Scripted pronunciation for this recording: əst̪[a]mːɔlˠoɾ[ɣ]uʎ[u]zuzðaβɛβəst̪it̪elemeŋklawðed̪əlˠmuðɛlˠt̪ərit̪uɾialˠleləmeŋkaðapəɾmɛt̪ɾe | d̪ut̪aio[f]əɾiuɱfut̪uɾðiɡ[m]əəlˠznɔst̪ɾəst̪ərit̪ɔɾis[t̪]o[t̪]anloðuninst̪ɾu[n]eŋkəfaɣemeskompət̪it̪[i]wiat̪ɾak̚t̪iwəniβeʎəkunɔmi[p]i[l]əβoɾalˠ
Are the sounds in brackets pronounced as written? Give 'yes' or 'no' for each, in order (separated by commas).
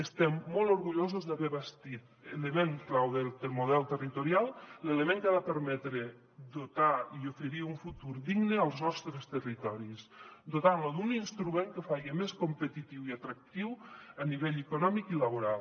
no, yes, no, yes, no, no, yes, no, yes, no, yes